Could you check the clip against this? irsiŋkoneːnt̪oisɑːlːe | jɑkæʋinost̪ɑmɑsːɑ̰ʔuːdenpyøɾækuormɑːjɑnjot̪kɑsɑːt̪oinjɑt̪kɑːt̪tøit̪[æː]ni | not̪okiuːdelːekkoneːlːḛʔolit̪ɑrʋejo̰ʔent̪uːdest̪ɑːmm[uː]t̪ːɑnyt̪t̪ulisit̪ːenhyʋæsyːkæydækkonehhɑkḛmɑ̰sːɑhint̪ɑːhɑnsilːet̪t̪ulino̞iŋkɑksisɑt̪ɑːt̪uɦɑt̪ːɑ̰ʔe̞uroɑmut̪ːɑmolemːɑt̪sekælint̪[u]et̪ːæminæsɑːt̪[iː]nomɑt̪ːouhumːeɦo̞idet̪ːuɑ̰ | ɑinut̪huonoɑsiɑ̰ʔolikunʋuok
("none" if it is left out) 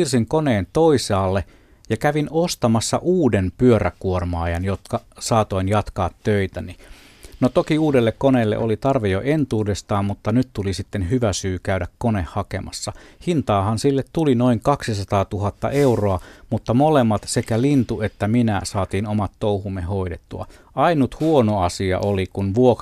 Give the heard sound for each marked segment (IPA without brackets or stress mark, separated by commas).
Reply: æ, u, u, iː